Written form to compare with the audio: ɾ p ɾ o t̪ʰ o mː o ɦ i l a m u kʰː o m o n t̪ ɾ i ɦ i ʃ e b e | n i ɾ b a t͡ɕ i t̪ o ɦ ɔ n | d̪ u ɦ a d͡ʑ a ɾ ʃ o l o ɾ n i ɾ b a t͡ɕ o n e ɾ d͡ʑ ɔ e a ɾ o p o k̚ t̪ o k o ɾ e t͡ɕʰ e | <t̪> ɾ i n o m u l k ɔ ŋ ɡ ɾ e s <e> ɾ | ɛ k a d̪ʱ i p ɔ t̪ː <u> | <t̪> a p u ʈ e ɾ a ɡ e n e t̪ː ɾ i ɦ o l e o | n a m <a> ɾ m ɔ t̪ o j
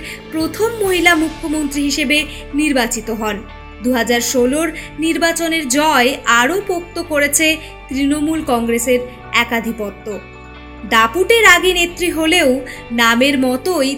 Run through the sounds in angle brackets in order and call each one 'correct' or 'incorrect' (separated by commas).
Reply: correct, correct, incorrect, incorrect, incorrect